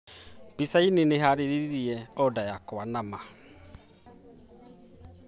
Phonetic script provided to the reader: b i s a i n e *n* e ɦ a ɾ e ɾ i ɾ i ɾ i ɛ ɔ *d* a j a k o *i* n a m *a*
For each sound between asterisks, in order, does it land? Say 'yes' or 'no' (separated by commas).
yes, yes, no, yes